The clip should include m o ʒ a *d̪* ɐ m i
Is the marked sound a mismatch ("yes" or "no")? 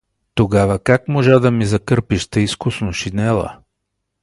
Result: no